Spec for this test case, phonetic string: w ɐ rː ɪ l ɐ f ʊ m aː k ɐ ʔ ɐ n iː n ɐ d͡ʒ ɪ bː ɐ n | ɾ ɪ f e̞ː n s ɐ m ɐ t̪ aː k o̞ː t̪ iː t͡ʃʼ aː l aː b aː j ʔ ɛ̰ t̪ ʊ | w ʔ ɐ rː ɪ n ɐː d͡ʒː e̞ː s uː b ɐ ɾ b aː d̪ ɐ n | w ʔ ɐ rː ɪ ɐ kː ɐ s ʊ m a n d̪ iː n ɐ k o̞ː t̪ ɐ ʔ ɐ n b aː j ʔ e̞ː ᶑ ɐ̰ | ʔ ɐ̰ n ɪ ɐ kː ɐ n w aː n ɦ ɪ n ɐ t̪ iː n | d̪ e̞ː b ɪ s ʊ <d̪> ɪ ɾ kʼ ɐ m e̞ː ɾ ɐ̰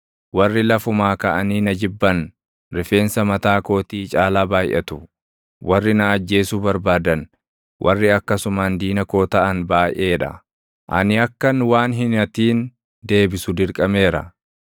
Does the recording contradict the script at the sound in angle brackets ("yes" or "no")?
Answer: no